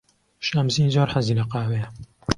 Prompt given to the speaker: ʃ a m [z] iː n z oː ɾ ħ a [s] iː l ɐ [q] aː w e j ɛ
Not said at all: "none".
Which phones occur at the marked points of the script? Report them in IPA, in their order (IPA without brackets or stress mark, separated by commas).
z, z, q